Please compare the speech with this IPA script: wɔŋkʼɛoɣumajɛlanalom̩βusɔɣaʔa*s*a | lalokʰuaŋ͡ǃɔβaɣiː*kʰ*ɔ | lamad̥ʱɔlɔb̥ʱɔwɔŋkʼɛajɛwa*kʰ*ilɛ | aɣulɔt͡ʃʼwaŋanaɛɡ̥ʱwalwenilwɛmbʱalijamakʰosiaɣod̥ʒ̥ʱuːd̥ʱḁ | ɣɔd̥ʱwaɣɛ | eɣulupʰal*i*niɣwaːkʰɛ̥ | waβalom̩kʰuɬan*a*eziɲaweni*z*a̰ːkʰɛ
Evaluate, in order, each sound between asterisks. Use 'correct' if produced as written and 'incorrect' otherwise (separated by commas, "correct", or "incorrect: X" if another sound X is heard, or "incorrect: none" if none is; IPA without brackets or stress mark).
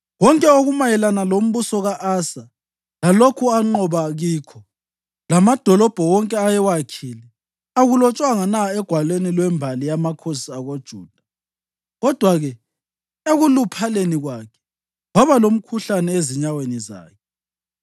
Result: correct, correct, correct, incorrect: e, incorrect: ɛ, correct